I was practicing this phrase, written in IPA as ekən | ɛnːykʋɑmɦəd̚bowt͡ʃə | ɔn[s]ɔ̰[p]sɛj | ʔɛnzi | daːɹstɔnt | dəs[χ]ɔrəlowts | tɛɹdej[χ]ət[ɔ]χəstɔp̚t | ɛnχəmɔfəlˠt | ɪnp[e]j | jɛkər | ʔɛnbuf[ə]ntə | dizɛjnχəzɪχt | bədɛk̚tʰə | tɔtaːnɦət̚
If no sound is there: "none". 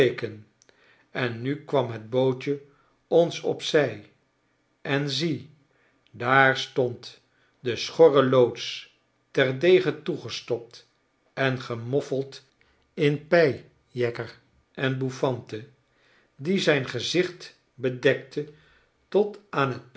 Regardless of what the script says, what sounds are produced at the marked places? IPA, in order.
s, p, χ, χ, u, ɛ, ɑ

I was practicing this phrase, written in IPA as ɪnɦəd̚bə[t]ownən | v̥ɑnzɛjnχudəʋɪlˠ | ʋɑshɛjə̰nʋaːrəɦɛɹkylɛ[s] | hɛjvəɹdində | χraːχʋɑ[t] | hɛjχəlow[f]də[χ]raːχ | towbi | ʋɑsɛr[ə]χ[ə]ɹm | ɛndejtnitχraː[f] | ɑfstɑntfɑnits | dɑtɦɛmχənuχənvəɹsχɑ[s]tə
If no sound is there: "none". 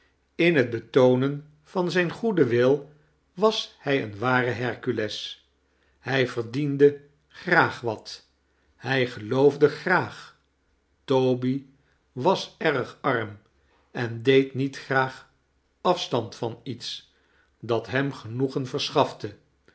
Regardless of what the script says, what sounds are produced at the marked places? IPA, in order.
t, s, t, v, χ, ə, ɑ, χ, f

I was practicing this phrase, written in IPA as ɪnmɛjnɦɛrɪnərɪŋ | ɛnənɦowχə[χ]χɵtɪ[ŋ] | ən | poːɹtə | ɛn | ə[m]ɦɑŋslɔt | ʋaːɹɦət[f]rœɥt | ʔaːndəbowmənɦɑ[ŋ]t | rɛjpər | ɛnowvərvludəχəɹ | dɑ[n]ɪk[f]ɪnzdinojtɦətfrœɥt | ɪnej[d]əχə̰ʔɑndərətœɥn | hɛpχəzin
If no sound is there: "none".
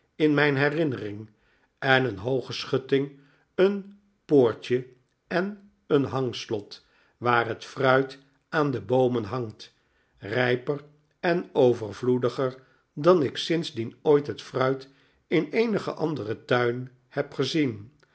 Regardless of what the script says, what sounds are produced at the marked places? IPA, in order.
s, ŋ, n, f, ŋ, n, s, n

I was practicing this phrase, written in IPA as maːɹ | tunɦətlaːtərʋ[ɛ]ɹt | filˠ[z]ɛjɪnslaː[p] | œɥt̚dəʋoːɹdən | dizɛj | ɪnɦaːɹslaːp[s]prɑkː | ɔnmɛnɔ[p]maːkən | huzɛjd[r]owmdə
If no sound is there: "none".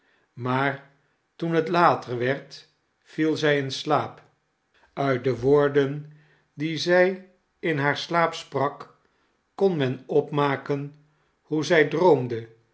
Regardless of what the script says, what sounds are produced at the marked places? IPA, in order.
ɛ, z, p, s, p, r

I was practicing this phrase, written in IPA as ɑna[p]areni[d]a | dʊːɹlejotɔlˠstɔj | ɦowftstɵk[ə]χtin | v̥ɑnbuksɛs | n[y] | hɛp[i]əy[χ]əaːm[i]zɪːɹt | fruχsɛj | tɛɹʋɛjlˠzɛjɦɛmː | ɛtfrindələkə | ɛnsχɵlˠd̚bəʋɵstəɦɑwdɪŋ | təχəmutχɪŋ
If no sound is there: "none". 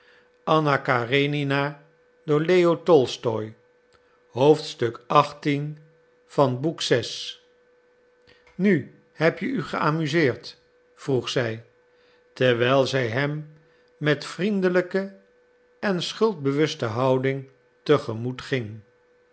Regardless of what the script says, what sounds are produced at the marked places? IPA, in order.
k, n, ɑ, y, j, χ, y

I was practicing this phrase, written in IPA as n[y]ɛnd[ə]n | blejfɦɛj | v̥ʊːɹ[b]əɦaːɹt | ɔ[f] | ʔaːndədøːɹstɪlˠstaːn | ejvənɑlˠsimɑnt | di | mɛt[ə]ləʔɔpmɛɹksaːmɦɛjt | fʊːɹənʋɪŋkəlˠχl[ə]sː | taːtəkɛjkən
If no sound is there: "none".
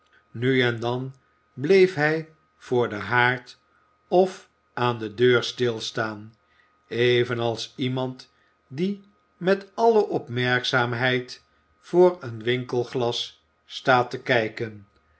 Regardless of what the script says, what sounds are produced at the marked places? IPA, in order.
y, ɑ, d, f, ɑ, ɑ

